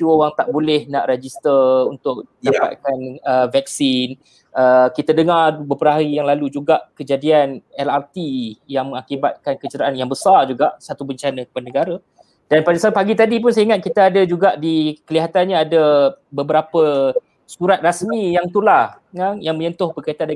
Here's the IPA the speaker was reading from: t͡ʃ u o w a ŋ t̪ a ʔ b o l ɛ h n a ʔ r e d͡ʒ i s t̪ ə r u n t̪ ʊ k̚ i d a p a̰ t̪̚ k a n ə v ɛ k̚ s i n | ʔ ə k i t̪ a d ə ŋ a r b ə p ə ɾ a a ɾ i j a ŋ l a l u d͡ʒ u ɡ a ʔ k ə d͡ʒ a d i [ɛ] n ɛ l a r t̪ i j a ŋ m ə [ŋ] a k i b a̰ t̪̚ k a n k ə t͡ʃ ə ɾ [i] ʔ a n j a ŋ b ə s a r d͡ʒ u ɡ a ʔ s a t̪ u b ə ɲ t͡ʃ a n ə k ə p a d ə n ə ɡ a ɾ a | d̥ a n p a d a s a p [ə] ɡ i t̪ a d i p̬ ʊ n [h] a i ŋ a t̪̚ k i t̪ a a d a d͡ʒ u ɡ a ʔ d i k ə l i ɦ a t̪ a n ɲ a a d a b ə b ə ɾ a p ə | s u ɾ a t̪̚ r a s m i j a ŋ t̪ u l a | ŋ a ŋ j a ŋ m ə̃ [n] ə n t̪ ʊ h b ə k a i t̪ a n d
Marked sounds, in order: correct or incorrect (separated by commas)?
incorrect, correct, incorrect, incorrect, incorrect, incorrect